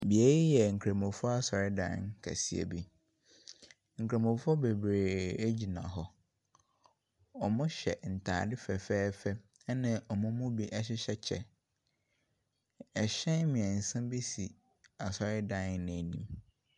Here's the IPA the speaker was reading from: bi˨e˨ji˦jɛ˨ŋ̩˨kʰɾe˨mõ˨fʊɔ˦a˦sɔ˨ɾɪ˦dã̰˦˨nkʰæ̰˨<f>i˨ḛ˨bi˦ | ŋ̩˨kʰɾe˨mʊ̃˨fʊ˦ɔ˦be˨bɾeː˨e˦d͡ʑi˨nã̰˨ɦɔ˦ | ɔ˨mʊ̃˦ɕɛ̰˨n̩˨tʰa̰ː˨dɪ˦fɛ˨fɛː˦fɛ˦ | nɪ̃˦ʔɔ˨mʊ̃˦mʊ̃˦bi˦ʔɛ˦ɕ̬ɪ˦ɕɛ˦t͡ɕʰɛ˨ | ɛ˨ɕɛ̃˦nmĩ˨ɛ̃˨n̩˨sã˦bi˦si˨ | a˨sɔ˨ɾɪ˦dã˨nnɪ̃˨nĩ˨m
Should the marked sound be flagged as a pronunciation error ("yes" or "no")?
yes